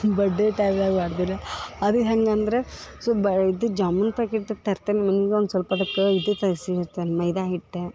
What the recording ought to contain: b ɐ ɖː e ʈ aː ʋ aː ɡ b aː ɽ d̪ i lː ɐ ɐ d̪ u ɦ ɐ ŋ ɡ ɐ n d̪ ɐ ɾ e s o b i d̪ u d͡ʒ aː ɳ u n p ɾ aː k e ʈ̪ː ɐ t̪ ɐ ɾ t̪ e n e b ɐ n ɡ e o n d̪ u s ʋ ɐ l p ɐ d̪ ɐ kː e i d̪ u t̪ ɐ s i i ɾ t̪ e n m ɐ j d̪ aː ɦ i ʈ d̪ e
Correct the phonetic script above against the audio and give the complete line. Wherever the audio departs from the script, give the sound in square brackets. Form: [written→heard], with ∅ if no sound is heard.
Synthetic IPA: b ɐ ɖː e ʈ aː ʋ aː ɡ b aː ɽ d̪ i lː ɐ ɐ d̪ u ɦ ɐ ŋ ɡ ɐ n d̪ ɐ ɾ e s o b i d̪ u d͡ʒ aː [ɳ→m] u n p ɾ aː k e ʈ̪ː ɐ t̪ ɐ ɾ t̪ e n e [b→m] ɐ n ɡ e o n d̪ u s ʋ ɐ l p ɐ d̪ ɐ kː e i d̪ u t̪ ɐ s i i ɾ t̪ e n m ɐ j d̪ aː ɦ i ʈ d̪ e

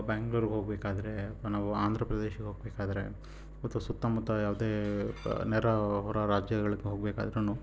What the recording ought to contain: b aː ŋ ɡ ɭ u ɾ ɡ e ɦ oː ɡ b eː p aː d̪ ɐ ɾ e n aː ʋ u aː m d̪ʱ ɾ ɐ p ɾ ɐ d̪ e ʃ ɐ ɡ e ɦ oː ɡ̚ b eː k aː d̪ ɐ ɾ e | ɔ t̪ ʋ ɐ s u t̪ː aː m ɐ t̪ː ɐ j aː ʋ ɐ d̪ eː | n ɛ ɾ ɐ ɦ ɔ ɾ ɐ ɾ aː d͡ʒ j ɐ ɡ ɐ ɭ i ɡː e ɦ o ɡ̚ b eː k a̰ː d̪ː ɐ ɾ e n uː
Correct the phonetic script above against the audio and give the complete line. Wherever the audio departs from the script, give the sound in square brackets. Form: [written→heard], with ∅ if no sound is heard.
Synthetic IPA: b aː ŋ ɡ ɭ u ɾ ɡ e ɦ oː ɡ b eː [p→k] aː d̪ ɐ ɾ e n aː ʋ u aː [m→n] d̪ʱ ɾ ɐ p ɾ ɐ d̪ e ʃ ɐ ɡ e ɦ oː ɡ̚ b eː k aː d̪ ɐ ɾ e | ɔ t̪ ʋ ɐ s u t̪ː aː m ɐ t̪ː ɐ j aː ʋ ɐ d̪ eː | n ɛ ɾ ɐ ɦ ɔ ɾ ɐ ɾ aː d͡ʒ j ɐ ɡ ɐ ɭ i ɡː e ɦ o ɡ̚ b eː k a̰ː [d̪ː→d̪] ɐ ɾ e n uː

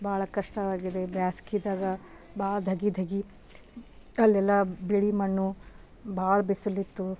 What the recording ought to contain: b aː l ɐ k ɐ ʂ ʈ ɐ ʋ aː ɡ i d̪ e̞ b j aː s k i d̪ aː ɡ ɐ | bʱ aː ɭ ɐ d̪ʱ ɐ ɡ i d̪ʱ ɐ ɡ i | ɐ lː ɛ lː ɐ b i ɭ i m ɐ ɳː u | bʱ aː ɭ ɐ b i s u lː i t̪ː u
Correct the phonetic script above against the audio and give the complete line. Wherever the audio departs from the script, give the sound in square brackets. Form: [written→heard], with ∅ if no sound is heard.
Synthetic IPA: b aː [l→ɭ] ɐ k ɐ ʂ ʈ ɐ ʋ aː ɡ i d̪ e̞ b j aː s k i d̪ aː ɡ ɐ | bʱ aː ɭ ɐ d̪ʱ ɐ ɡ i d̪ʱ ɐ ɡ i | ɐ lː ɛ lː ɐ b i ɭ i m ɐ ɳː u | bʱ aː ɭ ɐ b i s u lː i t̪ː u

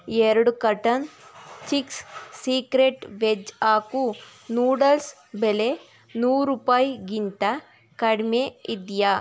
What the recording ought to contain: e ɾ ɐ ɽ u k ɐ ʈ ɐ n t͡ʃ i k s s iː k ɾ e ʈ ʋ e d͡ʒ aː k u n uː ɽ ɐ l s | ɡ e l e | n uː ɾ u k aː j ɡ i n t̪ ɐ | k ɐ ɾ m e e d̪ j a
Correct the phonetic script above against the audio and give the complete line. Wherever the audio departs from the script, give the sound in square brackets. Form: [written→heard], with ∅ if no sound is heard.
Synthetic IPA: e ɾ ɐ ɽ u k ɐ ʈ ɐ n t͡ʃ i k s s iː k ɾ e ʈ ʋ e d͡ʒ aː k u n uː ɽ ɐ l s | [ɡ→b] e l e | n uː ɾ u [k→p] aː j ɡ i n t̪ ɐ | k ɐ [ɾ→ɽ] m e [e→i] d̪ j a

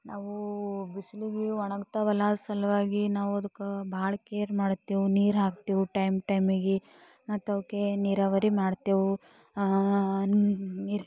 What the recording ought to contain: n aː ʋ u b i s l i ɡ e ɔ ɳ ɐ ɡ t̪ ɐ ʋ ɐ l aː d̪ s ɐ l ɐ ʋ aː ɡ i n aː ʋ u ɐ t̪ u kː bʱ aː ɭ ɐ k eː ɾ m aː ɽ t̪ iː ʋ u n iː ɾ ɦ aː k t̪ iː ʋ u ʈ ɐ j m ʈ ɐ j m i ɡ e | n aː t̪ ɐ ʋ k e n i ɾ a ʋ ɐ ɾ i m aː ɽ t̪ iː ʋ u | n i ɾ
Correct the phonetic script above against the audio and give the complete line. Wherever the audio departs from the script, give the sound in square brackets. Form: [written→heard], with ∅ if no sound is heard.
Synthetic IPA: n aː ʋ u b i s l i ɡ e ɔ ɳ ɐ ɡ t̪ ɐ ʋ ɐ l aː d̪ s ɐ l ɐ ʋ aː ɡ i n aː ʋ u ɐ [t̪→d̪] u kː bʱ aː ɭ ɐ k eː ɾ m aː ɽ t̪ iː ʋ u n iː ɾ ɦ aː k t̪ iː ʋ u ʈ ɐ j m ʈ ɐ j m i ɡ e | n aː t̪ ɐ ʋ k e n i ɾ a ʋ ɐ ɾ i m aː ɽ t̪ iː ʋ u | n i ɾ

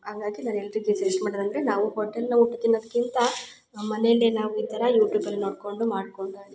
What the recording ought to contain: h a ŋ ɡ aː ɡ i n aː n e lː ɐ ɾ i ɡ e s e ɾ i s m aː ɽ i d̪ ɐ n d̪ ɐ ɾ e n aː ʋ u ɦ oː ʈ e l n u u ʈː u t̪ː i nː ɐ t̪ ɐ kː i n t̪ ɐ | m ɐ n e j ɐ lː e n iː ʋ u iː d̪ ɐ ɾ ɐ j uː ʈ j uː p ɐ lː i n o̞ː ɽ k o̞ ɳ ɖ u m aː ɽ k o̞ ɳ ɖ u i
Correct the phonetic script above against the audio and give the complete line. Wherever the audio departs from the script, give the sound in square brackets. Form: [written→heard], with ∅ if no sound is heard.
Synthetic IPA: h a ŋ ɡ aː ɡ i n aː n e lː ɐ ɾ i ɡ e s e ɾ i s m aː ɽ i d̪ ɐ n d̪ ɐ ɾ e n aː ʋ u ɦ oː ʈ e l n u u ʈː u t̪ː i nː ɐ [t̪→d̪] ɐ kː i n t̪ ɐ | m ɐ n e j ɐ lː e n [iː→aː] ʋ u iː [d̪→t̪] ɐ ɾ ɐ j uː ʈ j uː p ɐ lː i n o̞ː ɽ k o̞ ɳ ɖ u m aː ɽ k o̞ ɳ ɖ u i

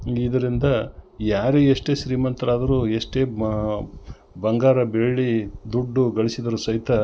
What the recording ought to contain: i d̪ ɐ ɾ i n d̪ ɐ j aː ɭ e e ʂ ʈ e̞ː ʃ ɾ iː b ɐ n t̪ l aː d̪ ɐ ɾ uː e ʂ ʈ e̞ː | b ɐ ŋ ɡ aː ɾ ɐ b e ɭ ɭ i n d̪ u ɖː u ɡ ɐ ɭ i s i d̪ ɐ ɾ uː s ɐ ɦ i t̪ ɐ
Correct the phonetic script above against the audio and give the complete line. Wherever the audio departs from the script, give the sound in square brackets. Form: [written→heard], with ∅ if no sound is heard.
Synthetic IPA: i d̪ ɐ ɾ i n d̪ ɐ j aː [ɭ→ɾ] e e ʂ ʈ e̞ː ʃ ɾ iː [b→m] ɐ n t̪ [l→ɾ] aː d̪ ɐ ɾ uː e ʂ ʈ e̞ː | b ɐ ŋ ɡ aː ɾ ɐ b e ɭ ɭ i [n→∅] d̪ u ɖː u ɡ ɐ ɭ i s i d̪ ɐ ɾ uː s ɐ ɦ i t̪ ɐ

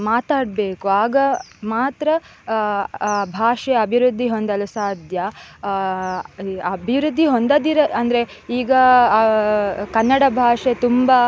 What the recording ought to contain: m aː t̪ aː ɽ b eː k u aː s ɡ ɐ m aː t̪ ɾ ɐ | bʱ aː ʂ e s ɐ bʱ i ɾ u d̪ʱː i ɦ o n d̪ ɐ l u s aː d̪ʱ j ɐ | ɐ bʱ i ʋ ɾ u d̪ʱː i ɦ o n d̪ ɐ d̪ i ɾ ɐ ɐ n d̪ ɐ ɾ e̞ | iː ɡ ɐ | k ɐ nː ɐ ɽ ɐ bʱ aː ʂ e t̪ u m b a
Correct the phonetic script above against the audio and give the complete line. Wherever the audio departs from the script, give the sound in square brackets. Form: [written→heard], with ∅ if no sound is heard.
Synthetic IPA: m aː t̪ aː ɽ b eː k u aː [s→∅] ɡ ɐ m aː t̪ ɾ ɐ | bʱ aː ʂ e [s→∅] ɐ bʱ i ɾ u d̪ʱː i ɦ o n d̪ ɐ l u s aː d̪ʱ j ɐ | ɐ bʱ i ʋ ɾ u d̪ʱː i ɦ o n d̪ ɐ d̪ i ɾ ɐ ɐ n d̪ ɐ ɾ e̞ | iː ɡ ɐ | k ɐ nː ɐ ɽ ɐ bʱ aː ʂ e t̪ u m b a

